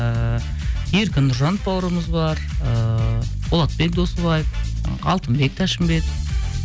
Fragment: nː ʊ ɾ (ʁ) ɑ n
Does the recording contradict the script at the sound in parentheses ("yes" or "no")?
yes